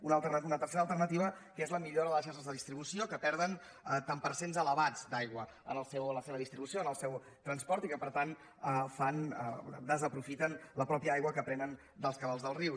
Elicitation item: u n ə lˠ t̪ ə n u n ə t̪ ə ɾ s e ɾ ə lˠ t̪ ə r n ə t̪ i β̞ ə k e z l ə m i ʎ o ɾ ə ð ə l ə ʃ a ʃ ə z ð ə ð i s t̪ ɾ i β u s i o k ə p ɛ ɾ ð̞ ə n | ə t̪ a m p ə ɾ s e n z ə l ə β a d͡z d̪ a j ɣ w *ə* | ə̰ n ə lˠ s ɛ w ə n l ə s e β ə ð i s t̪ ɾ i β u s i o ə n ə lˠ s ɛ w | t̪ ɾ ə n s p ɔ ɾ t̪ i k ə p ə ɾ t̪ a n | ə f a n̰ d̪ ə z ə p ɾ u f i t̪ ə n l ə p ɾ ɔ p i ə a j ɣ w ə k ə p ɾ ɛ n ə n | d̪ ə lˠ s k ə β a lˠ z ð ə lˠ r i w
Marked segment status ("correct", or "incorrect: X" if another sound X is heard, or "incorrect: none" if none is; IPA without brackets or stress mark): correct